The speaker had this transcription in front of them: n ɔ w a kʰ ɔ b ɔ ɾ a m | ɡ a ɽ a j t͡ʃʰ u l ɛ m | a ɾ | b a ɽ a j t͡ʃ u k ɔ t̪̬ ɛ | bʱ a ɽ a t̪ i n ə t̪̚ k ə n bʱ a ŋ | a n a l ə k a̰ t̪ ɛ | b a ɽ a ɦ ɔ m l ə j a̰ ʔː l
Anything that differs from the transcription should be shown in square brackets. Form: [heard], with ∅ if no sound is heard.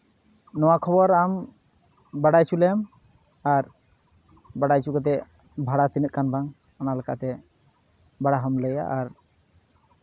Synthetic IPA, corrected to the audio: n ɔ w a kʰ ɔ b ɔ ɾ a m | [b] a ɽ a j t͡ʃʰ u l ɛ m | a ɾ | b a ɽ a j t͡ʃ u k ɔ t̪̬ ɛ | bʱ a ɽ a t̪ i n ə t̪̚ k [a] n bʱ a ŋ | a n a l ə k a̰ t̪ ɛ | b a ɽ a ɦ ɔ m l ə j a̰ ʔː [ɾ]